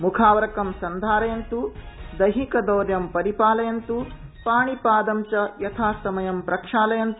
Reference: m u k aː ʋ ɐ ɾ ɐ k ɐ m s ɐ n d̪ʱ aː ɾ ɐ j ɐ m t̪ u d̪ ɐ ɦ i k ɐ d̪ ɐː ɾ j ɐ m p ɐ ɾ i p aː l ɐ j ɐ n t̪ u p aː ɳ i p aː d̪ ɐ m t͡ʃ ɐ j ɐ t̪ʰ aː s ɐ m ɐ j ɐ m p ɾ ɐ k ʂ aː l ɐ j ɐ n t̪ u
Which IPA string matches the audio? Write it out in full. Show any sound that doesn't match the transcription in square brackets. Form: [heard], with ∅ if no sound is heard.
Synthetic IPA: m u [kʰ] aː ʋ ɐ ɾ ɐ k ɐ m s ɐ n d̪ʱ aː ɾ ɐ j ɐ [n] t̪ u d̪ ɐ ɦ i k ɐ d̪ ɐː ɾ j ɐ m p ɐ ɾ i p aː l ɐ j ɐ n t̪ u p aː ɳ i p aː d̪ ɐ m t͡ʃ ɐ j ɐ t̪ʰ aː s ɐ m ɐ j ɐ m p ɾ ɐ k ʂ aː l ɐ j ɐ n t̪ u